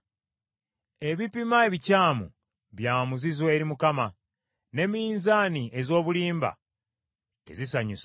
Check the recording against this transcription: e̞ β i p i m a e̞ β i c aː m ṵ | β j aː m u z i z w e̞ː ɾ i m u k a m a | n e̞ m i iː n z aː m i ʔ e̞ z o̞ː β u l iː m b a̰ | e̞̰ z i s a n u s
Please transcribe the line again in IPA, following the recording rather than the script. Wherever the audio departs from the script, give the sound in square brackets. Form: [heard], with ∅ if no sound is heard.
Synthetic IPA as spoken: e̞ β i p i m a e̞ β i c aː m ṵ | β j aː m u z i z w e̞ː ɾ i m u k a m a | n e̞ m i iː n z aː [n] i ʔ e̞ z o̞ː β u l iː m b a̰ | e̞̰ z i s a [ɲ] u s